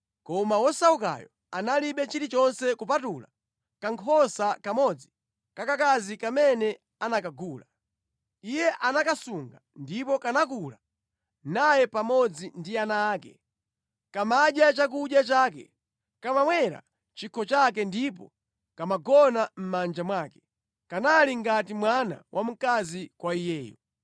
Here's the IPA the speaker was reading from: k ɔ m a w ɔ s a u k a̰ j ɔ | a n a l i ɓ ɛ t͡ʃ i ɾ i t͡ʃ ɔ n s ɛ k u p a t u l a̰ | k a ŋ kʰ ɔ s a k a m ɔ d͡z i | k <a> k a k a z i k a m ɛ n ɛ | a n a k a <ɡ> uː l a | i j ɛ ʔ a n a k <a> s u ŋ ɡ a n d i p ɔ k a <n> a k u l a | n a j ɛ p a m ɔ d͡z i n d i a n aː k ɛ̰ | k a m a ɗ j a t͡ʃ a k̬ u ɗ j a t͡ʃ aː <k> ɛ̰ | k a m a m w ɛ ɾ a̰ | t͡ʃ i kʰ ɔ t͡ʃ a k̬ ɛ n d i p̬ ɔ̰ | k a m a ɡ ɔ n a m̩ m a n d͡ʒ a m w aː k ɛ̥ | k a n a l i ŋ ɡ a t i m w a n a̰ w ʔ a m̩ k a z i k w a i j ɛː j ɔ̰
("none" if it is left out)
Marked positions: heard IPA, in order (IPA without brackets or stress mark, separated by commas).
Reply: a, ɡ, a, n, k